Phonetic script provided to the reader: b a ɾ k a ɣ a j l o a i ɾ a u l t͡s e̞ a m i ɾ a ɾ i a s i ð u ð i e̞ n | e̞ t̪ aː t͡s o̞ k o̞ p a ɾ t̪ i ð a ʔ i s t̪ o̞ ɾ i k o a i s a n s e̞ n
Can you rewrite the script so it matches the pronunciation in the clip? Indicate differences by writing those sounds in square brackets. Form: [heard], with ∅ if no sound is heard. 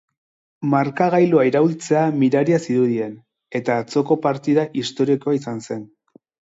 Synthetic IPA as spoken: [m] a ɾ k a ɣ a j l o a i ɾ a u l t͡s e̞ a m i ɾ a ɾ i a s i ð u ð i e̞ n | e̞ t̪ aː t͡s o̞ k o̞ p a ɾ t̪ i ð a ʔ i s t̪ o̞ ɾ i k o a i s a n s e̞ n